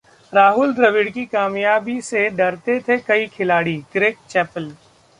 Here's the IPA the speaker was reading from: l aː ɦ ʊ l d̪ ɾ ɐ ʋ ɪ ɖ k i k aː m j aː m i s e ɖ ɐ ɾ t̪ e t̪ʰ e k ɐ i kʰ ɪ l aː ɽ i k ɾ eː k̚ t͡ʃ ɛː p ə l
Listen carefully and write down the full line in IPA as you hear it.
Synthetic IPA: ɾ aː ɦ ʊ l d̪ ɾ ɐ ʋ ɪ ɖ k i k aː m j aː b i s e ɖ ɐ ɾ t̪ e t̪ʰ e k ɐ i kʰ ɪ l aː ɽ i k ɾ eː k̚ t͡ʃ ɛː p ə l